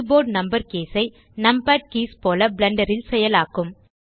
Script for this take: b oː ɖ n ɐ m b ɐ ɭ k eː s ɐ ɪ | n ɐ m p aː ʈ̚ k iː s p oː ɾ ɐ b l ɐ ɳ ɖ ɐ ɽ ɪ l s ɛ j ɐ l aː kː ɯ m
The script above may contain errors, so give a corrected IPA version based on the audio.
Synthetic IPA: b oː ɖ n ɐ m b ɐ ɾ k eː s ɐ ɪ | n ɐ m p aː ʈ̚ k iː s p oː l ɐ b l ɐ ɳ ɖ ɐ ɾ ɪ l s ɛ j ɐ l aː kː ɯ m